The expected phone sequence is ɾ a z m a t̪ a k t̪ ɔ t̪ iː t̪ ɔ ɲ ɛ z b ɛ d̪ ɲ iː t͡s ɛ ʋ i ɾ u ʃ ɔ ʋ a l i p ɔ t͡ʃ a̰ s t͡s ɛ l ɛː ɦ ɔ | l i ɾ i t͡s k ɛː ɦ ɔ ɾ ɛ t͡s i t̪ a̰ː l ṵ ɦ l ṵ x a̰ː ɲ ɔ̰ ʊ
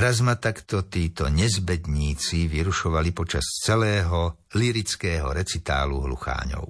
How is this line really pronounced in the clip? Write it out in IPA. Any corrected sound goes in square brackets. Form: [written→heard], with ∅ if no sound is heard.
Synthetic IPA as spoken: ɾ a z m a t̪ a k t̪ ɔ t̪ iː t̪ ɔ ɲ ɛ z b ɛ d̪ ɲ iː t͡s [ɛ→i] ʋ i ɾ u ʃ ɔ ʋ a l i p ɔ t͡ʃ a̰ s t͡s ɛ l ɛː ɦ ɔ | l i ɾ i t͡s k ɛː ɦ ɔ ɾ ɛ t͡s i t̪ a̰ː l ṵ ɦ l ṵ x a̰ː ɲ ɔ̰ ʊ